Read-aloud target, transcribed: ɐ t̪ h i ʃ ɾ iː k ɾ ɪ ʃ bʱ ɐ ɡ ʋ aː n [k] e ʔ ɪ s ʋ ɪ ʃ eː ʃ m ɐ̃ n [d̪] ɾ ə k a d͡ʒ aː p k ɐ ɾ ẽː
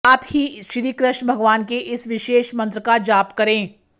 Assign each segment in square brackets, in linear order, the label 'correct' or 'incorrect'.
correct, incorrect: t̪

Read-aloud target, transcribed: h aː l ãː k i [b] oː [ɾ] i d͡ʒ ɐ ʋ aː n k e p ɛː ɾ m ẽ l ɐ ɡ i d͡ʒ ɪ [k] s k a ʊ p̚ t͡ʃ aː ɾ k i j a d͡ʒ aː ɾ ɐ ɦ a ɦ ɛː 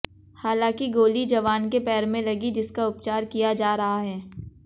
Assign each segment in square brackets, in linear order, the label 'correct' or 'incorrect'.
incorrect: ɡ, incorrect: l, incorrect: none

